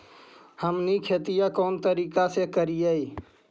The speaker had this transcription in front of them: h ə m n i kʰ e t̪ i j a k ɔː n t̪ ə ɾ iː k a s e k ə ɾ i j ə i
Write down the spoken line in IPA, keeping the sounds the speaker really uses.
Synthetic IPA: h ə m n i kʰ e t̪ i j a k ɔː n t̪ ə ɾ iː k a s e k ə ɾ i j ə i